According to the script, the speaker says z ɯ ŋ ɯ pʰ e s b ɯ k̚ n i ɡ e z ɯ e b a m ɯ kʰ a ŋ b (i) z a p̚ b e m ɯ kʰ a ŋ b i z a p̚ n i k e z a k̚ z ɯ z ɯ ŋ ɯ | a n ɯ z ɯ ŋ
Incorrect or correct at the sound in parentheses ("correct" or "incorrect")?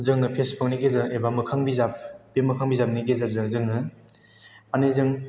correct